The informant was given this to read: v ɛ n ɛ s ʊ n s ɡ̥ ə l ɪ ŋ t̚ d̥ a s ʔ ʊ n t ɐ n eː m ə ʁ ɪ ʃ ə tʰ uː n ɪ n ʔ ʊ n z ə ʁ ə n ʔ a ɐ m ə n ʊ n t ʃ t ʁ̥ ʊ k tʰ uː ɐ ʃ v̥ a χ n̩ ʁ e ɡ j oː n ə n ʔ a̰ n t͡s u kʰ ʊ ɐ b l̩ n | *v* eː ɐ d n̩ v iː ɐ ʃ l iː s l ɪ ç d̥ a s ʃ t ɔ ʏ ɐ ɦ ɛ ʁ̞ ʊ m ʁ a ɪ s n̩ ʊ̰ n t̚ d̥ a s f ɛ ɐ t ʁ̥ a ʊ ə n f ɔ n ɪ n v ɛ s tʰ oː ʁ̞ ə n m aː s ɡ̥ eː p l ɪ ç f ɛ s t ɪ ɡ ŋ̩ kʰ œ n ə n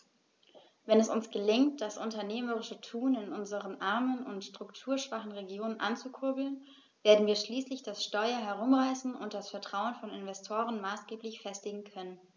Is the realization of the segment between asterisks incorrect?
no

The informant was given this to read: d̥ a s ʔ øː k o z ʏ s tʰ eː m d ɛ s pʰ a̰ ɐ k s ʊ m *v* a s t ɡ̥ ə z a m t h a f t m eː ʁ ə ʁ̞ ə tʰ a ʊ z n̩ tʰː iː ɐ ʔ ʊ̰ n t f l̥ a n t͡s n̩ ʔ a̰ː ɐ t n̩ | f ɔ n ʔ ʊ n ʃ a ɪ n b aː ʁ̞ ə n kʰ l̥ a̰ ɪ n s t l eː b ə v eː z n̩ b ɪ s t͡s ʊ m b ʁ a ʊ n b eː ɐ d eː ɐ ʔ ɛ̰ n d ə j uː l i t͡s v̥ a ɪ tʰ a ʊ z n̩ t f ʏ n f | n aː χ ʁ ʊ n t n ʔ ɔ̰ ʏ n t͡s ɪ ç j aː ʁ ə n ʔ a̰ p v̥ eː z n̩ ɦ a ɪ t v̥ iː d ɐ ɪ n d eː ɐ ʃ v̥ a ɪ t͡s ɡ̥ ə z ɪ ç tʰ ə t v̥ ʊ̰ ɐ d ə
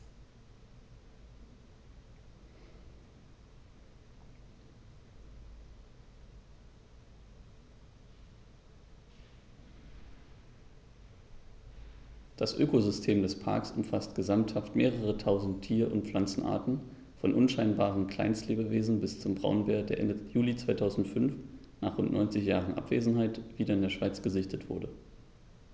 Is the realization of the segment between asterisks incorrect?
yes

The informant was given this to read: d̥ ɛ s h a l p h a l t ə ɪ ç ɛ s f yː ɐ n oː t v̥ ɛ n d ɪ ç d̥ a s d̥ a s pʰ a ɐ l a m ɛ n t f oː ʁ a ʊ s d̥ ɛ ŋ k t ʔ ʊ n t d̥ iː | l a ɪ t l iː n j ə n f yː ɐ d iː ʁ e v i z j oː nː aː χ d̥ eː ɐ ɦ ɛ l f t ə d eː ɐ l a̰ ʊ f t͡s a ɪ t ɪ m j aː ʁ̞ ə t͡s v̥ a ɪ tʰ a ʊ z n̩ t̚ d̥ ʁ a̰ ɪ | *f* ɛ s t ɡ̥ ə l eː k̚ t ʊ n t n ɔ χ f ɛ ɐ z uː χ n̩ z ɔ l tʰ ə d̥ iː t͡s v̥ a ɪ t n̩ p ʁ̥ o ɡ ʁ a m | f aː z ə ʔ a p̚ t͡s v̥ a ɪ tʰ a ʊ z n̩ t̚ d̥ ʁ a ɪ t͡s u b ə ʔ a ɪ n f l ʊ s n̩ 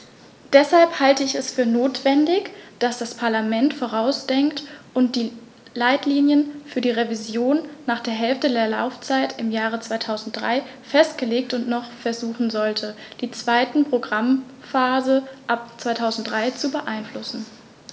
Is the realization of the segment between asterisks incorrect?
no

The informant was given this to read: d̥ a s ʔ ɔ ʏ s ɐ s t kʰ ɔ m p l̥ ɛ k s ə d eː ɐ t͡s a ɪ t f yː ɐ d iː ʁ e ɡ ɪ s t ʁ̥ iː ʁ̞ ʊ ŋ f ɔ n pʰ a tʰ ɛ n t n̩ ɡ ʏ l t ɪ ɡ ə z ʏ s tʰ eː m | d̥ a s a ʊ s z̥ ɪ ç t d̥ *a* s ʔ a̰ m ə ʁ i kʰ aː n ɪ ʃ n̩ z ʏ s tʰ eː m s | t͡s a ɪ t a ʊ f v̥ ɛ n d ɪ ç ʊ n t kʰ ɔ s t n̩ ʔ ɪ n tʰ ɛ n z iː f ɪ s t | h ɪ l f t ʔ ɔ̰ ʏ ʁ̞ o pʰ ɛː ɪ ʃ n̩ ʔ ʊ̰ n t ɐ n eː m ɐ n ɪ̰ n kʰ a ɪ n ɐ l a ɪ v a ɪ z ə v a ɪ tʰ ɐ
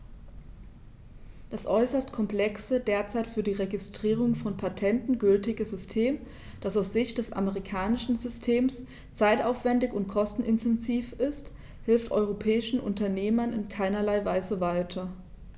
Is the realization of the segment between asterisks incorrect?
yes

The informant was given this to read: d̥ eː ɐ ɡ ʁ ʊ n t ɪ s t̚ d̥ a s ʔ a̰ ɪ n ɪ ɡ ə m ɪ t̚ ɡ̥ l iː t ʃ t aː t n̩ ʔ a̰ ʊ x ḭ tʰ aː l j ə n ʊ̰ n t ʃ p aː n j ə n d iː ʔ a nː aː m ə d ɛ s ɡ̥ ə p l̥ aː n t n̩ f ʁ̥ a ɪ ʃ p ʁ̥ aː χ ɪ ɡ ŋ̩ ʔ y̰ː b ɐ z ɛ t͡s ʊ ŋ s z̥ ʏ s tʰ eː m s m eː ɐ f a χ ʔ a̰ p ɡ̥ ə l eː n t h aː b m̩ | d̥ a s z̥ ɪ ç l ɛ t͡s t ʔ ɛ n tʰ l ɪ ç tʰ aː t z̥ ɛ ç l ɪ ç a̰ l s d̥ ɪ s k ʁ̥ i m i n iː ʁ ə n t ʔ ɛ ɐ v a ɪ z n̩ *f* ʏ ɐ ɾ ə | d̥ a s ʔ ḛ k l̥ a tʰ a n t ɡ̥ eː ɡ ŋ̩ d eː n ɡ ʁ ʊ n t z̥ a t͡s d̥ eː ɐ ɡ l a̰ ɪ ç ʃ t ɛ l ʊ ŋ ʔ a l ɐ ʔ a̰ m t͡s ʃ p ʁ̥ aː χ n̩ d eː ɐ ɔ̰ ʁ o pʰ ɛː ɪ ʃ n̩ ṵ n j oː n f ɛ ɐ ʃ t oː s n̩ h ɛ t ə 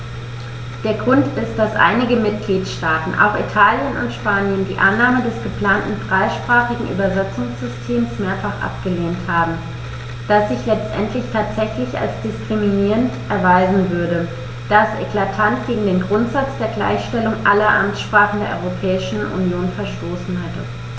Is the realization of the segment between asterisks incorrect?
yes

